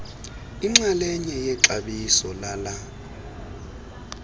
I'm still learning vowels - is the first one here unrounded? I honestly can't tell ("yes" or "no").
yes